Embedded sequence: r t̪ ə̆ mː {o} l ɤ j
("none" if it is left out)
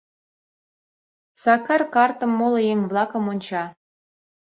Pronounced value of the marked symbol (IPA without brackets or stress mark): o